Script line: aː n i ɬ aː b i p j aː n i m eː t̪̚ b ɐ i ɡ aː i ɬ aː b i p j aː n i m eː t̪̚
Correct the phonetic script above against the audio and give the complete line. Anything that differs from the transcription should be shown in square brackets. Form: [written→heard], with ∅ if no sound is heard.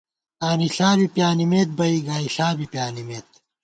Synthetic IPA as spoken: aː n i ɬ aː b i p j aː n i m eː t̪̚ b ɐ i ɡ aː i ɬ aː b i p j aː n i m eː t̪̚

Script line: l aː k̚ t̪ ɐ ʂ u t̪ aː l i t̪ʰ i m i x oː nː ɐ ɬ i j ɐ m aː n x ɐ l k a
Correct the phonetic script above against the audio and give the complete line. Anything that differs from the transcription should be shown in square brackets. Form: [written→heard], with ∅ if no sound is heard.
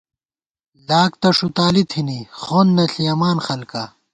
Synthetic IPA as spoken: l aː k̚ t̪ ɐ ʂ u t̪ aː l i t̪ʰ i [m→n] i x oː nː ɐ ɬ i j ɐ m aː n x ɐ l k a

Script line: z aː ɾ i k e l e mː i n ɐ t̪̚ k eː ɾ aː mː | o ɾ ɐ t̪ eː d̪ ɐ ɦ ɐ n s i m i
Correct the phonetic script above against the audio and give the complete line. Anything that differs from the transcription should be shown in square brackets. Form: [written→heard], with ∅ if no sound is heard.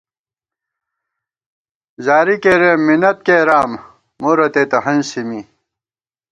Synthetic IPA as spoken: z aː ɾ i k e [l→ɾ] e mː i n ɐ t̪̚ k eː ɾ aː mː | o ɾ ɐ t̪ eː [d̪→t̪] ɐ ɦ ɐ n s i m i

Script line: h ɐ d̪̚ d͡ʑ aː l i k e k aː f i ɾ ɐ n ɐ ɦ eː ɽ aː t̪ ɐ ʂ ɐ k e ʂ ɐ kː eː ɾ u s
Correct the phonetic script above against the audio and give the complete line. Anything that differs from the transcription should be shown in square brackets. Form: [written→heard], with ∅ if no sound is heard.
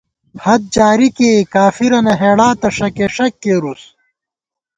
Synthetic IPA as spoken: h ɐ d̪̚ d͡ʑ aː [l→ɾ] i k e k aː f i ɾ ɐ n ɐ ɦ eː ɽ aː t̪ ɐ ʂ ɐ k e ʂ ɐ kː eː ɾ u s

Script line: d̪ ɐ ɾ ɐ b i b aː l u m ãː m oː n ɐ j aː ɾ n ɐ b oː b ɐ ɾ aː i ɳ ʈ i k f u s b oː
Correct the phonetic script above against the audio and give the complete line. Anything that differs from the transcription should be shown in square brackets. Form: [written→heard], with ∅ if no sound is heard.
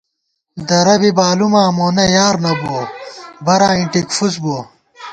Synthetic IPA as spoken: d̪ ɐ ɾ ɐ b i b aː l u m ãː m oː n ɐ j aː ɾ n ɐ b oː b ɐ ɾ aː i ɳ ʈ i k f u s b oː

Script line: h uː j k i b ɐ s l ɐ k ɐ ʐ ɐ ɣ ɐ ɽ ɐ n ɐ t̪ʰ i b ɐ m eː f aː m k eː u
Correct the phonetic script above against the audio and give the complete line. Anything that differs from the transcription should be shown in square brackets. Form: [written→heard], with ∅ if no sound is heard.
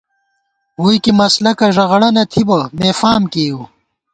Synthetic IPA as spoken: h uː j k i [b→m] ɐ s l ɐ k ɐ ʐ ɐ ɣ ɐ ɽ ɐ n ɐ t̪ʰ i b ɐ m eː f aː m k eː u

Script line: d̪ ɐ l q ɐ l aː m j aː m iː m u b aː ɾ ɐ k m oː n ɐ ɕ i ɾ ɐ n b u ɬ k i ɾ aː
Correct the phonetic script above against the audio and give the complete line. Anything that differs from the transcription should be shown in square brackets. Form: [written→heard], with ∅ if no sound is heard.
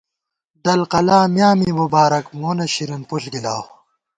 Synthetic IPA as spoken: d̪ ɐ l q ɐ l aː m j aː m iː m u b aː ɾ ɐ k m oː n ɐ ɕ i ɾ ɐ n [b→p] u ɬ [k→ɡ] i [ɾ→l] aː

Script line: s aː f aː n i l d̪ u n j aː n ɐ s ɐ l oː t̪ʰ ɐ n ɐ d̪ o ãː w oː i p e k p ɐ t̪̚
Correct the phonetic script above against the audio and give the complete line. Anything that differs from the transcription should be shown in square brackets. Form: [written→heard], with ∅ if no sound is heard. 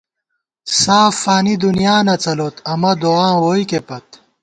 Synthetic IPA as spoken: s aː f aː n i [l→∅] d̪ u n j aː n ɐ [s→t͡s] ɐ l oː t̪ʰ ɐ [n→m] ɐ d̪ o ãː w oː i [p→k] e [k→∅] p ɐ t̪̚

